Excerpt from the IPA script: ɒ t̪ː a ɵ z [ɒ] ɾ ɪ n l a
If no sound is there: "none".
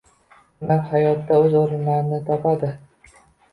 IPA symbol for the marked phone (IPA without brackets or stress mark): o